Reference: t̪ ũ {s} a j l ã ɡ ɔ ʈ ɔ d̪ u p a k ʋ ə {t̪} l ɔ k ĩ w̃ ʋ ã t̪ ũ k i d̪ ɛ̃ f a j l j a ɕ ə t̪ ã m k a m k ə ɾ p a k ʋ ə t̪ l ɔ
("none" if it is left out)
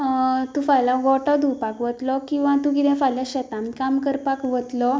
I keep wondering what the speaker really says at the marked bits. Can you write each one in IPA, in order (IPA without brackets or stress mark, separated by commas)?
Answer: f, t̪